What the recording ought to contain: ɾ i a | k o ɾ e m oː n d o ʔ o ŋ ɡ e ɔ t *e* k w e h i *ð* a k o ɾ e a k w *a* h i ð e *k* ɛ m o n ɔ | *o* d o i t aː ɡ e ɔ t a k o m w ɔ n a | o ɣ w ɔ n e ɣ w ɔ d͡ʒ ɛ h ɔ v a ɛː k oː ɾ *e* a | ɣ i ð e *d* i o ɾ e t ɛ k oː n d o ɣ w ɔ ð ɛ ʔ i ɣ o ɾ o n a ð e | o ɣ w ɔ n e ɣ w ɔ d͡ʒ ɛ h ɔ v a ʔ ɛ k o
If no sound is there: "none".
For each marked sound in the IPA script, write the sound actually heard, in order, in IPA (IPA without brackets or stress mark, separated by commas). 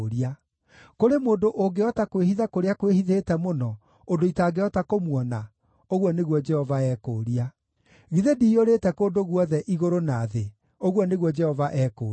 a, ð, e, t, o, i, d